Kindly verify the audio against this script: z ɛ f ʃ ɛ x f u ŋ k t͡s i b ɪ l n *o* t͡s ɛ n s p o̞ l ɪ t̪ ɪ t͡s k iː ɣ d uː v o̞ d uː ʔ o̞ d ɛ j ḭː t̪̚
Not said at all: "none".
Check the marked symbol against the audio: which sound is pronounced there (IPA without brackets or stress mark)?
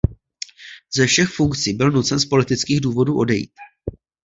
u